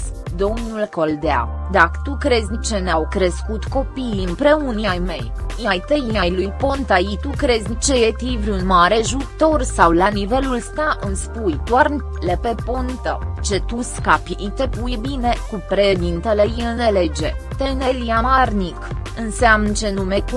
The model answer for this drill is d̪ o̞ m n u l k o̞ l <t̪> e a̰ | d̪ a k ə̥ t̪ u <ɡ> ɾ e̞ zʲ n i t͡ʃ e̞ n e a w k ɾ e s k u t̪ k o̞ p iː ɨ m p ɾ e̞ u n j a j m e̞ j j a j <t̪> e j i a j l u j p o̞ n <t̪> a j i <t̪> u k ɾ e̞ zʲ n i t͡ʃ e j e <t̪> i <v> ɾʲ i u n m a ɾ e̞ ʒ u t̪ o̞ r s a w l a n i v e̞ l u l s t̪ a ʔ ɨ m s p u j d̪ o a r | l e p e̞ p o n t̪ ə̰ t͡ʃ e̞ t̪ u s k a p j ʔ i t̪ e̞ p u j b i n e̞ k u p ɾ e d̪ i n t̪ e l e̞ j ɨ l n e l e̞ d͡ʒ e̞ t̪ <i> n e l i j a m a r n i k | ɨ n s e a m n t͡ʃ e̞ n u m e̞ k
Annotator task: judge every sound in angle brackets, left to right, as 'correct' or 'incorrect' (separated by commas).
incorrect, incorrect, correct, correct, correct, correct, correct, incorrect